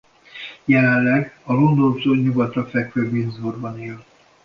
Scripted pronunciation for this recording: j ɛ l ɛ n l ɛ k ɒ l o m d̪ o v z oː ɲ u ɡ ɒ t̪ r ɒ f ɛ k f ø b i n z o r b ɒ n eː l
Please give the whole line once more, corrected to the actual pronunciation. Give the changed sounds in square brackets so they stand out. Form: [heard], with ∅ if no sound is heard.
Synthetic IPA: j ɛ l ɛ n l ɛ [ɡ] ɒ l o [n] d̪ o v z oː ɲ u ɡ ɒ t̪ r ɒ f ɛ k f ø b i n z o r b ɒ n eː l